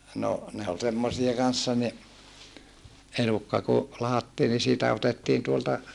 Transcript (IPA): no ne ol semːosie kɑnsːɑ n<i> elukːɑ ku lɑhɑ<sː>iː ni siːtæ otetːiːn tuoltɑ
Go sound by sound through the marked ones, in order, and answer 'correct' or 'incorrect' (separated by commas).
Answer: correct, incorrect